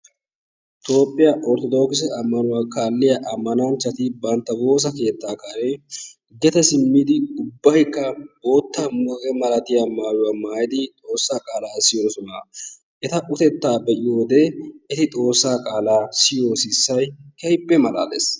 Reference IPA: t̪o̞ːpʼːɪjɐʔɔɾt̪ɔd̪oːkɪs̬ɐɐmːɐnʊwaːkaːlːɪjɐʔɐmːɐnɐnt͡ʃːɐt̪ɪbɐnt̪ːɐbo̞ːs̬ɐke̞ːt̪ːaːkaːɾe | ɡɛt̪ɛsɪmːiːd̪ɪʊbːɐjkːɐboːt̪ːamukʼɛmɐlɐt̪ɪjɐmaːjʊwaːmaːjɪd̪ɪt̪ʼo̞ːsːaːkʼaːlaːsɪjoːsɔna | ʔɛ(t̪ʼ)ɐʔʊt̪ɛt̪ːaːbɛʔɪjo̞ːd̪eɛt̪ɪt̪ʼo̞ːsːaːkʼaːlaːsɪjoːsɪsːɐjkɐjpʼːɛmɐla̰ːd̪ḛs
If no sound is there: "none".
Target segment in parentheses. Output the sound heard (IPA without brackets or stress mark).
t̪